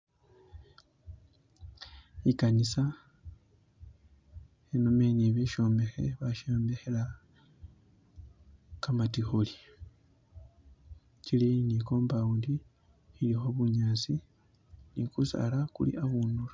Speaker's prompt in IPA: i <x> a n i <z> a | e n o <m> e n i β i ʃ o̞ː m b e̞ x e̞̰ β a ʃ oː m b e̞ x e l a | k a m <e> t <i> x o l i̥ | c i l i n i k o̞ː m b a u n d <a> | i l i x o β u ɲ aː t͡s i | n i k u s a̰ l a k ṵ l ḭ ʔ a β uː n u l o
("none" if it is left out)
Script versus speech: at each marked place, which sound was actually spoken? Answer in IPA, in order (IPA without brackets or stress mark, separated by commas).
k, s, m, a, i, i